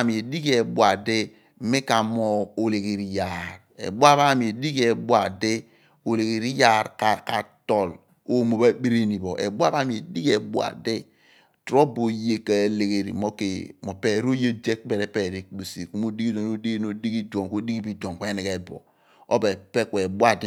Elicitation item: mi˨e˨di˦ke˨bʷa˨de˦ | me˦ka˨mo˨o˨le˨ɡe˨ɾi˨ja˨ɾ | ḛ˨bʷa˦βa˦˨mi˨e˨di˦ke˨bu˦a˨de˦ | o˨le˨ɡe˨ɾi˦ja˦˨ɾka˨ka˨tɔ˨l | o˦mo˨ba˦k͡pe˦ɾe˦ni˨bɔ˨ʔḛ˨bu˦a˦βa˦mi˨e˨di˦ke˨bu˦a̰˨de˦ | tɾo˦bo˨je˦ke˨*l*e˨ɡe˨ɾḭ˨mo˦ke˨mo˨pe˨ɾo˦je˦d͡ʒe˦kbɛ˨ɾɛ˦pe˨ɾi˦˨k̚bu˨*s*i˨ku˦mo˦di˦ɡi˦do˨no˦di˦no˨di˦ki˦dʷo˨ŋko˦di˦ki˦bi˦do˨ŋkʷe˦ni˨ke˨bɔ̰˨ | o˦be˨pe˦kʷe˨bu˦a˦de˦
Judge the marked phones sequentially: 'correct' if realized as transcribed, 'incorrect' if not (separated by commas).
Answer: correct, correct